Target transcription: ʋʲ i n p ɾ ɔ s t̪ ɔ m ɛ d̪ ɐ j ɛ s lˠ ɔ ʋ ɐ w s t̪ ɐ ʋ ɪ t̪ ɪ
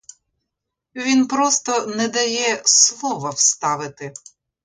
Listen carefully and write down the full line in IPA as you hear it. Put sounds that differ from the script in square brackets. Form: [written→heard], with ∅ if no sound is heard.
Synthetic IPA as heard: ʋʲ i n p ɾ ɔ s t̪ ɔ [m→n] ɛ d̪ ɐ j ɛ s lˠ ɔ ʋ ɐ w s t̪ [ɐ→ɑ] ʋ ɪ t̪ ɪ